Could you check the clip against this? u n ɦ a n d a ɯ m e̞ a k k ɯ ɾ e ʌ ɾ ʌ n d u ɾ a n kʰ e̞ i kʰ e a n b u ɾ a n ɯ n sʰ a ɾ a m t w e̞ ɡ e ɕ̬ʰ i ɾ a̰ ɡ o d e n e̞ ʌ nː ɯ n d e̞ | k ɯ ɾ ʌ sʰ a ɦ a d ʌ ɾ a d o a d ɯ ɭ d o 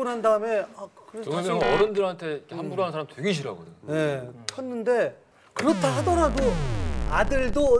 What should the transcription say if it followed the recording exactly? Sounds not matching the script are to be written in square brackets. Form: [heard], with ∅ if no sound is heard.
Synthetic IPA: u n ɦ a n d a ɯ m e̞ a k k ɯ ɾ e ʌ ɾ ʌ n d [ɯ] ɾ a n [tʰ] e̞ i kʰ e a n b u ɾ a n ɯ n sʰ a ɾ a m t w e̞ ɡ e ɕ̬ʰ i ɾ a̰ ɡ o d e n e̞ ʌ nː ɯ n d e̞ | k ɯ ɾ ʌ [tʰ] a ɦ a d ʌ ɾ a d o a d ɯ ɭ d o